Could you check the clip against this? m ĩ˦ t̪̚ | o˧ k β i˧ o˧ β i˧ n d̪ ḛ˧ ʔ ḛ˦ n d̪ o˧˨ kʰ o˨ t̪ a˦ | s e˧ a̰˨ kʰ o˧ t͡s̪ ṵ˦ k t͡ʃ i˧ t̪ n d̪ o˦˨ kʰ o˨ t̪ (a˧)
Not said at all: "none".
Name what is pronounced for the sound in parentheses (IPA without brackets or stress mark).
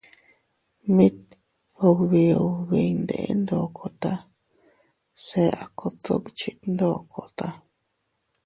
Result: a˧